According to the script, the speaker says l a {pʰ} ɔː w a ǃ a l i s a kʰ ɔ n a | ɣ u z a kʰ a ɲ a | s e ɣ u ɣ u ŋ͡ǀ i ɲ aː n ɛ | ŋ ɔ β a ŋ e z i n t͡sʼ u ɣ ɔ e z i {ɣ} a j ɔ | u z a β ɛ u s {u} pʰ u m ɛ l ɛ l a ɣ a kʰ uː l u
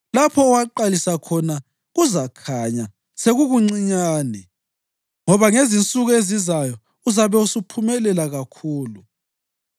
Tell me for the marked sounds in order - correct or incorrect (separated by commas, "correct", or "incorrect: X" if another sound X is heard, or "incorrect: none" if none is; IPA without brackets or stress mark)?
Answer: correct, incorrect: z, correct